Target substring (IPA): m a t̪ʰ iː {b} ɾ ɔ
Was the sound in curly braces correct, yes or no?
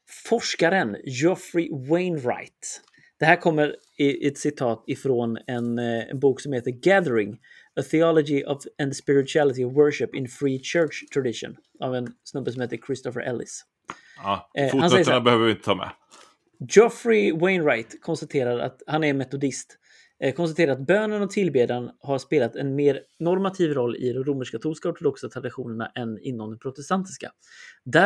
no